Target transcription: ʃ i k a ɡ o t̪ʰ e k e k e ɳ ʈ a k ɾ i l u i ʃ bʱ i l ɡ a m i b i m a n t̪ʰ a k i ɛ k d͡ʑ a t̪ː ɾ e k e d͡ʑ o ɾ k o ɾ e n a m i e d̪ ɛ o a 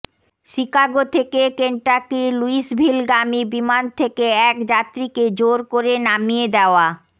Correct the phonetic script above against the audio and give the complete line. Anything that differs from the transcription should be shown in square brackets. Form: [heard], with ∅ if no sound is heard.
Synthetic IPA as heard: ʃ i k a ɡ o t̪ʰ e k e k e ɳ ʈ a k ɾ i l u i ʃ bʱ i l ɡ a m i b i m a n t̪ʰ [e] k [e] ɛ k d͡ʑ a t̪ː ɾ [i] k e d͡ʑ o ɾ k o ɾ e n a m i e d̪ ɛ o a